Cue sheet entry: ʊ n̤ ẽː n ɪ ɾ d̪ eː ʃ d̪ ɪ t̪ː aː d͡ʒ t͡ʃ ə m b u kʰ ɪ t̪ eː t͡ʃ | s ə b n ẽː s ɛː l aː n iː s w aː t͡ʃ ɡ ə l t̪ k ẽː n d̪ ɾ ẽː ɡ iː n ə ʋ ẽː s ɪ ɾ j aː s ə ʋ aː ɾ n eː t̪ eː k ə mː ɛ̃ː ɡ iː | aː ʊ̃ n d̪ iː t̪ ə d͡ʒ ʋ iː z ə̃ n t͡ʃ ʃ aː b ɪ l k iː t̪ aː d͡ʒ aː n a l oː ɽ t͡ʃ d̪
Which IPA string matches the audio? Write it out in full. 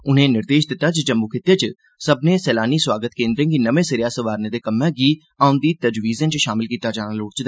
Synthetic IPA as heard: ʊ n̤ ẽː n ɪ ɾ d̪ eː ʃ d̪ ɪ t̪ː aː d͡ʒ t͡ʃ ə m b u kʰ ɪ t̪ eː t͡ʃ | s ə b n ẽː s ɛː l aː n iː s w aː ɡ ə t̪ k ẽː n d̪ ɾ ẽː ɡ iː n ə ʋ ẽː s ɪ ɾ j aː s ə ʋ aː ɾ n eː d̪ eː k ə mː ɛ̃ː ɡ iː | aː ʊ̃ n d̪ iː t̪ ə d͡ʒ ʋ iː z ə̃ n t͡ʃ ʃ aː m ɪ l k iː t̪ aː d͡ʒ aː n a l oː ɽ t͡ʃ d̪